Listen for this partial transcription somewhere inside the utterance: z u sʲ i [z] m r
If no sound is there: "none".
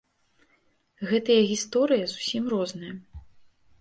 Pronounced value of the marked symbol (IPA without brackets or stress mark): none